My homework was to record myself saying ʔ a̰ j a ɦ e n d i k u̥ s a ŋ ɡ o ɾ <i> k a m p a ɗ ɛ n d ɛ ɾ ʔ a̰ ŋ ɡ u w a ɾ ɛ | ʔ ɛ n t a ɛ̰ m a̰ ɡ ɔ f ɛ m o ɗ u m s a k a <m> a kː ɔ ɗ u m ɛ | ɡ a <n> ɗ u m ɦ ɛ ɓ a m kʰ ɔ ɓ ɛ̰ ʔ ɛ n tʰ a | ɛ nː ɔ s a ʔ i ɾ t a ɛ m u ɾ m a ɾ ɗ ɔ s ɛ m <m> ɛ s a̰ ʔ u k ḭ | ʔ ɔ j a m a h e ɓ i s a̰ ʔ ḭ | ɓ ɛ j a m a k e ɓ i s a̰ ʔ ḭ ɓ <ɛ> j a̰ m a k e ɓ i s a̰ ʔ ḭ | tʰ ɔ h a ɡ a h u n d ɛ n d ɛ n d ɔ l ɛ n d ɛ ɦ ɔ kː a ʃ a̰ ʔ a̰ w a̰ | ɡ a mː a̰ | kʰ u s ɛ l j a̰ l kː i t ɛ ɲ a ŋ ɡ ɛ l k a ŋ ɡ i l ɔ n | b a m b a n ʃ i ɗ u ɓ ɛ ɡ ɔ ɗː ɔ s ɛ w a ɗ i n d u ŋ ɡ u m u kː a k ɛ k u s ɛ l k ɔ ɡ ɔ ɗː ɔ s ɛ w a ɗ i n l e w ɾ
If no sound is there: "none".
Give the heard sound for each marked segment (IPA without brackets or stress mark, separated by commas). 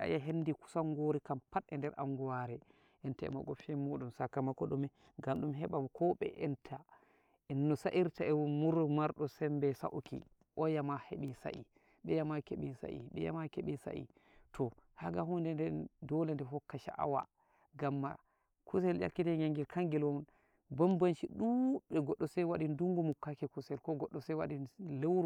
i, m, m, b, ɛ